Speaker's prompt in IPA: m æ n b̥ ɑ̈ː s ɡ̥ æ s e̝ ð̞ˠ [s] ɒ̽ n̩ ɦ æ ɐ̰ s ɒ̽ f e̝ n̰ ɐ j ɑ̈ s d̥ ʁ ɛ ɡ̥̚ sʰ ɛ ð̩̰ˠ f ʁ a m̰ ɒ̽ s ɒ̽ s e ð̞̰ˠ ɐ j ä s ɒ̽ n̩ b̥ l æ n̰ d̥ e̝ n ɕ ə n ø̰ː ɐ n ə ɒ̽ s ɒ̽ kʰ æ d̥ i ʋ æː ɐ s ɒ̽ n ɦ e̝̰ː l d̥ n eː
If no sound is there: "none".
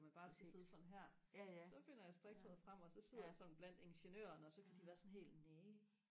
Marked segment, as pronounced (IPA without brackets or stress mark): s